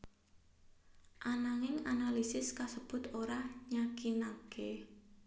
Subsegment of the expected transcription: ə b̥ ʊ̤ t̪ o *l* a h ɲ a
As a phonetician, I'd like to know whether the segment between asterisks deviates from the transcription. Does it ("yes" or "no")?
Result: yes